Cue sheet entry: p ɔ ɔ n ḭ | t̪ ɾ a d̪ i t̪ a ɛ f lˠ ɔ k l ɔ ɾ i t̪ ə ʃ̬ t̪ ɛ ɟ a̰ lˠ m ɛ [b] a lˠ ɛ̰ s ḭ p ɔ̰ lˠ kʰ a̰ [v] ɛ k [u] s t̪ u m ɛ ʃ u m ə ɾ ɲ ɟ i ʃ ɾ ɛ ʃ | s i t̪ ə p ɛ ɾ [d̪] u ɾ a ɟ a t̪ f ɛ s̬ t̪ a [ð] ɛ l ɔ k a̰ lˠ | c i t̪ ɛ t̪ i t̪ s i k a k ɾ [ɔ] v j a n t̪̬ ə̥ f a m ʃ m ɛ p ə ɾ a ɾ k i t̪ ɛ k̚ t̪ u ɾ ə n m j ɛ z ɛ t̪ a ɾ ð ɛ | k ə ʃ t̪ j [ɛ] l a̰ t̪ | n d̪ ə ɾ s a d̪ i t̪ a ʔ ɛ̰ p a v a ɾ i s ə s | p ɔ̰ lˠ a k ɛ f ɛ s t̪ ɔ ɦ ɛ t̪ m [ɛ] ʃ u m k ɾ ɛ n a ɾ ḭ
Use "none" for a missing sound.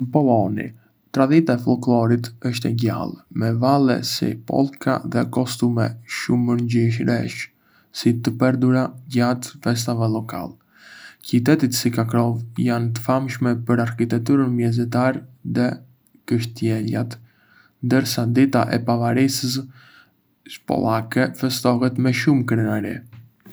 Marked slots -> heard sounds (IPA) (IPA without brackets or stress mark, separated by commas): v, ð, ɔ, d̪, v, ɔ, ɛ, ɛ